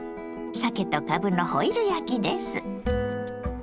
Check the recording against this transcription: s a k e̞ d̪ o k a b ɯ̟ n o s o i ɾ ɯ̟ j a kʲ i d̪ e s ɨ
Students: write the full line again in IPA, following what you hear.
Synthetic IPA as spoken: s a k e̞ t̪ o k a b ɯ̟ n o h o i ɾ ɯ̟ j a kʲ i d̪ e s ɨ